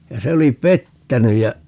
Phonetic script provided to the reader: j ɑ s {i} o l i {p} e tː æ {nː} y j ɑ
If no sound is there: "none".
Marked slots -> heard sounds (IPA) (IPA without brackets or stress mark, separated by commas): e, p, n